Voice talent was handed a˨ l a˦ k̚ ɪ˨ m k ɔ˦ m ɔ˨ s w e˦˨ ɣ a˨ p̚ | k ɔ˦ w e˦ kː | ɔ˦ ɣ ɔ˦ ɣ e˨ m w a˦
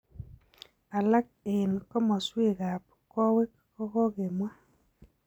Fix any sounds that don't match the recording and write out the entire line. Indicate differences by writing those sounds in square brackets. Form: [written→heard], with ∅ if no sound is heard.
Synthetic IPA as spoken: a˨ l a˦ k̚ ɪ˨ [m→n] k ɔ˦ m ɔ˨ s w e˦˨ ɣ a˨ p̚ | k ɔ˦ w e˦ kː | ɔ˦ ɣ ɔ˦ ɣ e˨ m w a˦